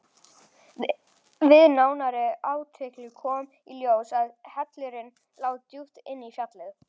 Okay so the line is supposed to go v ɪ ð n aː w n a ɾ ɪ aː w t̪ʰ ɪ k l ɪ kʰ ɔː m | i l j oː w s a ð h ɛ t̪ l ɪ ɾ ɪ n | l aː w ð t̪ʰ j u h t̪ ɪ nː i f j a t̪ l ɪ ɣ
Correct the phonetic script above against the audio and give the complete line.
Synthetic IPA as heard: v ɪ ð n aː w n a ɾ ɪ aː w t̪ʰ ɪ k l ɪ kʰ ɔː m | i l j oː w s a ð h ɛ t̪ l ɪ ɾ ɪ n | l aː w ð t̪ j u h t̪ ɪ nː i f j a t̪ l ɪ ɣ